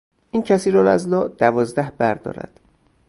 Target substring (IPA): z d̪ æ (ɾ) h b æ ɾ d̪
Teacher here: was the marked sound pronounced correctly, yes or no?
no